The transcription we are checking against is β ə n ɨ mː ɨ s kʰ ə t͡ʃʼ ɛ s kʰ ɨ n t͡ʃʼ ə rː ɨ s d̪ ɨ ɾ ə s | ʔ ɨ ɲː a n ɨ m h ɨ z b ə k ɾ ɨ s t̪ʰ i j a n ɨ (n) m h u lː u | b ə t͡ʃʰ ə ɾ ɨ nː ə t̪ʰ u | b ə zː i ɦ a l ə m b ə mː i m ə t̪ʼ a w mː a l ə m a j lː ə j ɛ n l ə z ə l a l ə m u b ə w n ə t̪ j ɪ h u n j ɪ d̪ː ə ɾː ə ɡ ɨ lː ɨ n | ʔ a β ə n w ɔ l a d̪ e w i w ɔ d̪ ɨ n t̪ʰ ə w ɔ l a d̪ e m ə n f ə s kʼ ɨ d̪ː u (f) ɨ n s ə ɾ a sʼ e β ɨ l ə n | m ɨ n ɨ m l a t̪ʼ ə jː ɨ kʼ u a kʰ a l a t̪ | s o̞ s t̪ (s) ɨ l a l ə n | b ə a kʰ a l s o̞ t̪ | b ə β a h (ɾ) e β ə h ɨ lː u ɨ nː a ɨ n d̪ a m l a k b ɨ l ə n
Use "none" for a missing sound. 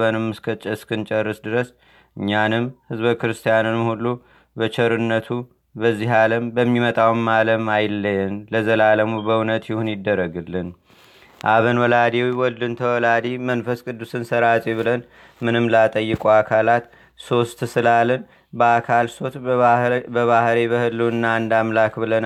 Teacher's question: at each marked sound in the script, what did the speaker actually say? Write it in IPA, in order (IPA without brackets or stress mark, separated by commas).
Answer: n, s, s, ɾ